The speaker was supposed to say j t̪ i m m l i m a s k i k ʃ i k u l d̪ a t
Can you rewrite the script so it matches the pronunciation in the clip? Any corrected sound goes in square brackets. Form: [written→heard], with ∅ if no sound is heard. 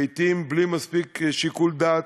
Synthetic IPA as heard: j t̪ i m [m→b] l i m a s [k→p] i k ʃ i k u l d̪ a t

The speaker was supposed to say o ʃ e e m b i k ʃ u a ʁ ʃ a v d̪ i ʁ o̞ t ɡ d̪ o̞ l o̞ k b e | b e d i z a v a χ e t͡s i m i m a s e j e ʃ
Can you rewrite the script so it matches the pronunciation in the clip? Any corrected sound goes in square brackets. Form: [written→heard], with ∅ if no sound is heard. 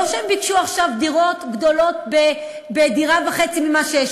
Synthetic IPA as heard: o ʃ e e m b i k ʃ u a [ʁ→χ] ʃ a v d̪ i ʁ o̞ t ɡ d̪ o̞ l o̞ [k→t] b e | b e d i [z→ʁ] a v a χ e t͡s i m i m a [s→ʃ] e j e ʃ

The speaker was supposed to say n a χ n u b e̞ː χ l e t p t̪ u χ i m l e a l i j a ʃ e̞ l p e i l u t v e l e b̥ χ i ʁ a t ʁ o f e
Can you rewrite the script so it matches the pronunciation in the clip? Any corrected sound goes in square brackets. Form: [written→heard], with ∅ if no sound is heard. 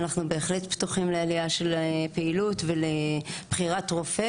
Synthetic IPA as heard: n a χ n u b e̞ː χ l e t p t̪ u χ i m l e a l i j a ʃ e̞ l p e i l u t v e l e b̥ χ i ʁ a t ʁ o f e

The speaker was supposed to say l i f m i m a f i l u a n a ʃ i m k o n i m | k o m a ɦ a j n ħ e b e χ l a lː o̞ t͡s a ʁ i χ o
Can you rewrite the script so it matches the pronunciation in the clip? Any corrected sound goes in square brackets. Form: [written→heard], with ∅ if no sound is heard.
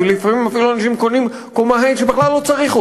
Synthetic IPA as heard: l i f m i m a f i l u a n a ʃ i m k o n i m | k o m a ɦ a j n [ħ→ʃ] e b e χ l a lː o̞ t͡s a ʁ i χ [o→u]

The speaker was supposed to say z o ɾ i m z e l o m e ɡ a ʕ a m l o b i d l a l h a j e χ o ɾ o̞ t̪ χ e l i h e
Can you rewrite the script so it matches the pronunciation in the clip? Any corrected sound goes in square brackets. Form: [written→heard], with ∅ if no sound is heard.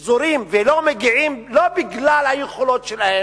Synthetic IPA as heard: z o ɾ i m [z→v] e l o m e ɡ [a→i] ʕ [a→i] m l o b i [d→ɡ] l a l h a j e χ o [ɾ→l] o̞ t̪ [χ→ʃ] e l [i→a] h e

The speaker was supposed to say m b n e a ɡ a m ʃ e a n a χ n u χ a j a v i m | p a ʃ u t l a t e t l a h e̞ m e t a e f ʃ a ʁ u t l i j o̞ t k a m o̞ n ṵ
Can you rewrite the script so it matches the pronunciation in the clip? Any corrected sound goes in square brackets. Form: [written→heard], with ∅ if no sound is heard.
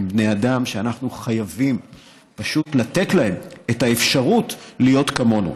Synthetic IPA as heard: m b n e a [ɡ→d] a m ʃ e a n a χ n u χ a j a v i m | p a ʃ u t l a t e t l a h e̞ m e t a e f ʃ a ʁ u t l i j o̞ t k a m o̞ n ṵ

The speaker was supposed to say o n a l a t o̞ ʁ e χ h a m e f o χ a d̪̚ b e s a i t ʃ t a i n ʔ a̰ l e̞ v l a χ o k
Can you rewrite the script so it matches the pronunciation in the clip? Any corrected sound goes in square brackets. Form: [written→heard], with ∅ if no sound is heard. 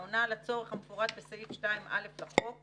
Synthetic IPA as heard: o n a l a [t→t͡s] o̞ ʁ e χ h a m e f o [χ→ʁ] a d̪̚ b e s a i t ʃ t a i [n→m] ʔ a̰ l e̞ [v→f] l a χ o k

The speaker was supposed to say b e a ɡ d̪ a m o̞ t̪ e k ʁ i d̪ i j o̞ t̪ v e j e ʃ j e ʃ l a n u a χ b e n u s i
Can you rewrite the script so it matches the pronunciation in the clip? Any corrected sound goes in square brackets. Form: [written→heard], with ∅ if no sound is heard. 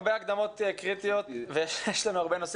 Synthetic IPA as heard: b e a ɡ d̪ a m o̞ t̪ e k ʁ i [d̪→t̪] i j o̞ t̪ v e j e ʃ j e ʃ l a n u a [χ→ʁ] b e n [u→o] s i

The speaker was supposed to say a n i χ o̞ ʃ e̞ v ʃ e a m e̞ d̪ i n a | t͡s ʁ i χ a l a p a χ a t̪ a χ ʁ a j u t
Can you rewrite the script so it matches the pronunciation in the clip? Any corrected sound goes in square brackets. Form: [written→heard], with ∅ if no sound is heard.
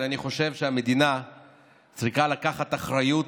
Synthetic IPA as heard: a n i χ o̞ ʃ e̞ v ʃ e a m e̞ d̪ i n a | t͡s ʁ i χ a l a [p→k] a χ a t̪ a χ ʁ a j u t

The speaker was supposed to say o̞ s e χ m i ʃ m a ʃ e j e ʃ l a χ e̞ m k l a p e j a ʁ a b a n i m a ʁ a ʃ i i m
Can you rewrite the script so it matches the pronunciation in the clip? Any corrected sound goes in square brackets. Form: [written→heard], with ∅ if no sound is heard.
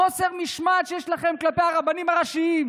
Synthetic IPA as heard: o̞ s e [χ→ʁ] m i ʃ m a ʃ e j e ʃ l a χ e̞ m k l a p e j a ʁ a b a n i m a ʁ a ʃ i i m

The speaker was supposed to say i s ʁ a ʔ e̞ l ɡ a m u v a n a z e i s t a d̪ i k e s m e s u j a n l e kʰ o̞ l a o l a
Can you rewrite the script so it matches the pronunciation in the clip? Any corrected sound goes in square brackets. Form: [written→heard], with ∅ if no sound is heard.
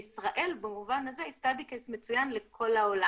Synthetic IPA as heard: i s ʁ a ʔ e̞ l [ɡ→b] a m u v a n a z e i s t a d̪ i k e s m e [s→t͡s] u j a n l e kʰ o̞ l a o l a

